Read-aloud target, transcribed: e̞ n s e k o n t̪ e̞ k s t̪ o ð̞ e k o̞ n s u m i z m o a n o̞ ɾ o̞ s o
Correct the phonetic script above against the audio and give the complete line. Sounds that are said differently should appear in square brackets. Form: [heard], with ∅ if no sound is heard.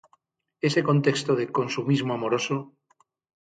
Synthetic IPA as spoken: e̞ [∅] s e k o n t̪ e̞ k s t̪ o ð̞ e k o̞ n s u m i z m o a [m] o̞ ɾ o̞ s o